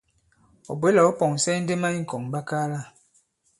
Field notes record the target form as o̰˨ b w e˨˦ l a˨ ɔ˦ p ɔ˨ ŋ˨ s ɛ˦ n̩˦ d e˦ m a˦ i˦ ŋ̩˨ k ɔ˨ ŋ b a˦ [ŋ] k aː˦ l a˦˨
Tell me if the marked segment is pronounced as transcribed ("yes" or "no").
no